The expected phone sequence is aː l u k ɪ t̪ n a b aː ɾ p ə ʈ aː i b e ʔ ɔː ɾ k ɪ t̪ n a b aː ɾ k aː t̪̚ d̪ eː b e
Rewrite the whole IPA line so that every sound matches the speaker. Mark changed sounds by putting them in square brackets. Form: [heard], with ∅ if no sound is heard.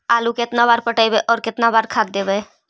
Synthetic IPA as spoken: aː l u k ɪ t̪ n a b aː ɾ p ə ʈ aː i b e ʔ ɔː ɾ k ɪ t̪ n a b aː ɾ [kʰ] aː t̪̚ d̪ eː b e